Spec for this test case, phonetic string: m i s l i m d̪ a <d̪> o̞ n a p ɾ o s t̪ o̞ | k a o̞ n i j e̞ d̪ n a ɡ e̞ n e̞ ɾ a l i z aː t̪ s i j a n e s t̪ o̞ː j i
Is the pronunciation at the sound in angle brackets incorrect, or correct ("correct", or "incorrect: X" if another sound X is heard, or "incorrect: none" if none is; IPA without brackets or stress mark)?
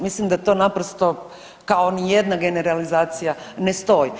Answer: incorrect: t̪